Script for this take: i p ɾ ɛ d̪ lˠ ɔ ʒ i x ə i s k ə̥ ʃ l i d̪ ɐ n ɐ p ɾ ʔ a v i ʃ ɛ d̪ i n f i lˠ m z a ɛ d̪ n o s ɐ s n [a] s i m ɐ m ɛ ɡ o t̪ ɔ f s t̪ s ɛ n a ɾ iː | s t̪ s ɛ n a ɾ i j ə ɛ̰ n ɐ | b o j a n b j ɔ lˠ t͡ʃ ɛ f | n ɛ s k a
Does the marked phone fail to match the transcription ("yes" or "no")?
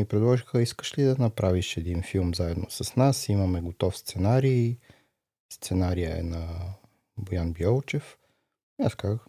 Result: no